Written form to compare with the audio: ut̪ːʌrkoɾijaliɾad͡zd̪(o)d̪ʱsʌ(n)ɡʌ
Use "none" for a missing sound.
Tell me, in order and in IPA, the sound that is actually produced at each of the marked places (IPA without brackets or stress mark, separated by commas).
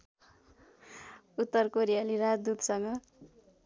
u, ŋ